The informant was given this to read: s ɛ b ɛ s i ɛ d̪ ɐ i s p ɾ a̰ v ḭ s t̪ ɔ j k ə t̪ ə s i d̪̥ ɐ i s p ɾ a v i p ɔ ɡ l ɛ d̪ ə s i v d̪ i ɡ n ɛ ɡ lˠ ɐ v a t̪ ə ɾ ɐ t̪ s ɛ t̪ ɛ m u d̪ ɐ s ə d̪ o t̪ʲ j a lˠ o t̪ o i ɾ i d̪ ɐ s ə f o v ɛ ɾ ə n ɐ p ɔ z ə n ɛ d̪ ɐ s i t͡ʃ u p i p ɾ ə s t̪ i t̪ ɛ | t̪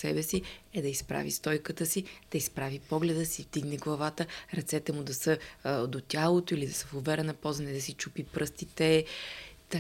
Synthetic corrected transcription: s ɛ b ɛ s i ɛ d̪ ɐ i s p ɾ a̰ v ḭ s t̪ ɔ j k ə t̪ ə s i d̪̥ ɐ i s p ɾ a v i p ɔ ɡ l ɛ d̪ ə s i v d̪ i ɡ n ɛ ɡ lˠ ɐ v a t̪ ə ɾ ɐ t̪ s ɛ t̪ ɛ m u d̪ ɐ s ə d̪ o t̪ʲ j a lˠ o t̪ o i l i d̪ ɐ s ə f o v ɛ ɾ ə n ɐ p ɔ z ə n ɛ d̪ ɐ s i t͡ʃ u p i p ɾ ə s t̪ i t̪ ɛ | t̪